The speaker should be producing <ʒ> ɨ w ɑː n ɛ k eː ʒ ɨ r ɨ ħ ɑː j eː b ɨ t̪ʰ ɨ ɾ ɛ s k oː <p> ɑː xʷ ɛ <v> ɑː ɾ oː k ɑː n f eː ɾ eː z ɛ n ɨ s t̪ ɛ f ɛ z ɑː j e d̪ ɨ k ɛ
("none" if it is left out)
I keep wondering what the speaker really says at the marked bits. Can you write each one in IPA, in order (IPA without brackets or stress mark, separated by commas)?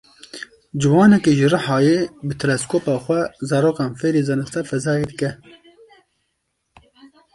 d͡ʒ, p, z